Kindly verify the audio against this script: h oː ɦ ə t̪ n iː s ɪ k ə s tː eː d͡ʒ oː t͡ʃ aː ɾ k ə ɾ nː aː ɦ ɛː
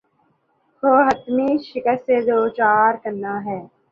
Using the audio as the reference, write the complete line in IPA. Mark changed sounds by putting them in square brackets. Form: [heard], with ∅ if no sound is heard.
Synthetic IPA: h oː ɦ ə t̪ [m] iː [ʃ] ɪ k ə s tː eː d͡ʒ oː t͡ʃ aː ɾ k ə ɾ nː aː ɦ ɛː